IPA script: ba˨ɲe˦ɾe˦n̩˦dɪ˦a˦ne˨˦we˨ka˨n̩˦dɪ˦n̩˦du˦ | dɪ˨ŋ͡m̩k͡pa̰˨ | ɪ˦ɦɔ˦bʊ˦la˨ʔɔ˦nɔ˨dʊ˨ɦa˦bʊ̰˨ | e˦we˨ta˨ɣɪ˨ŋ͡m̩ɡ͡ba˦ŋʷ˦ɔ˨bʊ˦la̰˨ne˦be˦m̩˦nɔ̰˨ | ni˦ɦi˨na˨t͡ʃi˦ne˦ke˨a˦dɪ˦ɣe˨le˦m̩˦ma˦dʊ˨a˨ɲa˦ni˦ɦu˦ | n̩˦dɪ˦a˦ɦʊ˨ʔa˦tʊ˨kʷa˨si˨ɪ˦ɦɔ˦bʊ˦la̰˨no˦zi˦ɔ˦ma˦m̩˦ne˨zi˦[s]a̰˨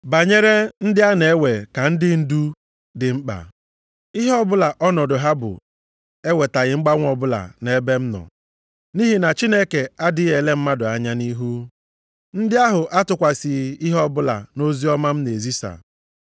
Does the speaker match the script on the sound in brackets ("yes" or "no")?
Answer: yes